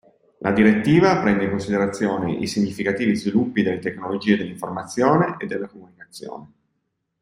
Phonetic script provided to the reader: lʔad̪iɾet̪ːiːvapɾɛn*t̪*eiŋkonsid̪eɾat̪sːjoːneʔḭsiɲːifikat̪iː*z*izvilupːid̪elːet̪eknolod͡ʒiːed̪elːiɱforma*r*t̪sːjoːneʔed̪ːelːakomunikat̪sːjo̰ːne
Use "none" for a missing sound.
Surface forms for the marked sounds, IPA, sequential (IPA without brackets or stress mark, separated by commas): d̪, v, none